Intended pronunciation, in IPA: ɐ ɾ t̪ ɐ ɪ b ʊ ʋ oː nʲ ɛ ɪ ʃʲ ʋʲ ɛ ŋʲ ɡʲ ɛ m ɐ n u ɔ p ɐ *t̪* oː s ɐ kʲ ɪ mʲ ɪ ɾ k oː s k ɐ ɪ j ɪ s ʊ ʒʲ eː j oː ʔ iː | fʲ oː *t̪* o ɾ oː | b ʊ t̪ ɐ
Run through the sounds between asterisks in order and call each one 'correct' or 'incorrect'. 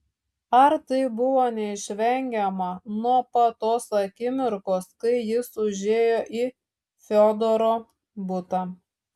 correct, incorrect

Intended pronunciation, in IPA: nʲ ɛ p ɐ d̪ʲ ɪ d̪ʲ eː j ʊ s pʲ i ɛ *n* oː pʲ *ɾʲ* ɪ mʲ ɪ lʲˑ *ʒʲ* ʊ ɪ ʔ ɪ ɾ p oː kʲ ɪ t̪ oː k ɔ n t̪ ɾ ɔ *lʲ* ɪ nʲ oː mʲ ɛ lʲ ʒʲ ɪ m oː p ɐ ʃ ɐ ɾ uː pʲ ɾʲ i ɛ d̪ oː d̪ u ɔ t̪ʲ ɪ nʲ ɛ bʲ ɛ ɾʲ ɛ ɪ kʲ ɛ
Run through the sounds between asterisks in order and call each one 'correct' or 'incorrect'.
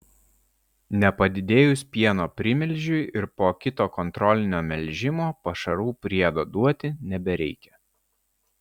correct, correct, correct, correct

